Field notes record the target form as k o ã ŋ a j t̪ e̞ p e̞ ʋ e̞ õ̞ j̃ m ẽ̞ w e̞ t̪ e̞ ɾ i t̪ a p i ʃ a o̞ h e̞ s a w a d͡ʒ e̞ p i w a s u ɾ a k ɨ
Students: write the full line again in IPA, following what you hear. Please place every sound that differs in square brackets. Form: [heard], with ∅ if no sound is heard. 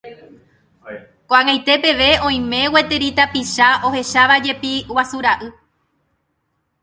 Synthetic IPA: k o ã ŋ a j t̪ e̞ p e̞ ʋ e̞ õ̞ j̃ m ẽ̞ w e̞ t̪ e̞ ɾ i t̪ a p i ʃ a o̞ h e̞ [ʃ] a [ʋ] a d͡ʒ e̞ p i w a s u ɾ a [ʔ] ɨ